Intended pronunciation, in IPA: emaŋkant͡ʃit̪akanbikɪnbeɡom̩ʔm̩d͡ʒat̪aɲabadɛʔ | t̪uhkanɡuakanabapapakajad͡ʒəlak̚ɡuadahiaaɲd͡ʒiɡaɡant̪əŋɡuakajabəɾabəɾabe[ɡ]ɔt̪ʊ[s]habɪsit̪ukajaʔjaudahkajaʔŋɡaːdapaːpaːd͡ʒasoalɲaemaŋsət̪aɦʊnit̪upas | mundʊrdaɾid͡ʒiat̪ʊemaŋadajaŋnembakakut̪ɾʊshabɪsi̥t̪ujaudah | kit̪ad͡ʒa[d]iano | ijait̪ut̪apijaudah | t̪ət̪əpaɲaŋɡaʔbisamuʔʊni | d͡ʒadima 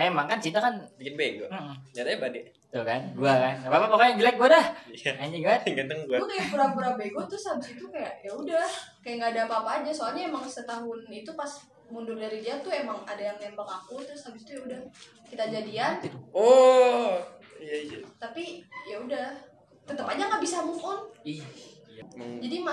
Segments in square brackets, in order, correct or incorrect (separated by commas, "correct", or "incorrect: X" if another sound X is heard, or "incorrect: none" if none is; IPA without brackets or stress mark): correct, correct, correct